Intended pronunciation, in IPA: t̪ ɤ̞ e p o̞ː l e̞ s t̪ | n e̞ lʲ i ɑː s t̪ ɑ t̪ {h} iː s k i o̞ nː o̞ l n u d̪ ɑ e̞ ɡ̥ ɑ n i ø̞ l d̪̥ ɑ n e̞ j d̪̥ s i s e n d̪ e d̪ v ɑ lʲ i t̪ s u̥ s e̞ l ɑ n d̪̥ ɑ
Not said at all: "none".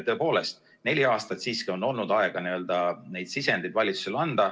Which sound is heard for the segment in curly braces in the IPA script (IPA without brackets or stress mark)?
s